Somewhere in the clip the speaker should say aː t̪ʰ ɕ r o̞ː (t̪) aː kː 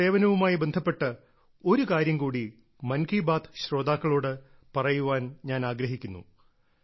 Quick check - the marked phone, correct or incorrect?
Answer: incorrect